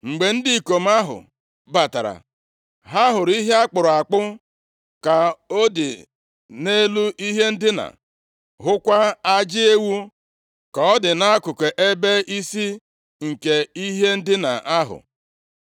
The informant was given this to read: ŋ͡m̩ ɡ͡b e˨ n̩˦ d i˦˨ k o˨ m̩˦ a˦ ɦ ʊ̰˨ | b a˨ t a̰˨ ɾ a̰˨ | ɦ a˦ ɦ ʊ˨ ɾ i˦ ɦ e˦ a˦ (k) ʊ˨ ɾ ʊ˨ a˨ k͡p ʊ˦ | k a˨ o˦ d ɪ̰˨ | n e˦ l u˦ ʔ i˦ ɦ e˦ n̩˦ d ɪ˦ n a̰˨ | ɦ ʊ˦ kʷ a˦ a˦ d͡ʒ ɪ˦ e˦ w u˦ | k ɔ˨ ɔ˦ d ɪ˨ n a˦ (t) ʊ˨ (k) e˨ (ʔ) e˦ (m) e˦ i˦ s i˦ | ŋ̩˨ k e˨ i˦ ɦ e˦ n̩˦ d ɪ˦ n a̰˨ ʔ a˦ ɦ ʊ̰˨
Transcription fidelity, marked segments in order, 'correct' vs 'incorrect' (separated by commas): incorrect, incorrect, correct, correct, incorrect